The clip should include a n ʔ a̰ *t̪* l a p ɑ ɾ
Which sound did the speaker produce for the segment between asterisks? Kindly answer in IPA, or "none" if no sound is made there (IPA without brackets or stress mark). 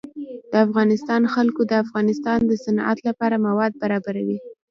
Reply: t̪